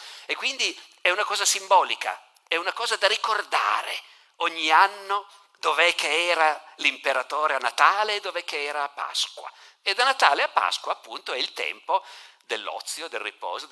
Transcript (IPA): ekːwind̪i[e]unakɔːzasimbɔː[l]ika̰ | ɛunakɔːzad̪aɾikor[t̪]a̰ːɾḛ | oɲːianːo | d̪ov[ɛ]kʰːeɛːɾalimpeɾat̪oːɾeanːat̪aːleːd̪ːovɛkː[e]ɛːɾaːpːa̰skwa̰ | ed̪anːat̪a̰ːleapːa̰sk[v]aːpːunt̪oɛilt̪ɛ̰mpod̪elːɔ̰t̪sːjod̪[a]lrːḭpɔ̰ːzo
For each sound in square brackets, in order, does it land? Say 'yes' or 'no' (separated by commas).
no, yes, no, yes, yes, no, no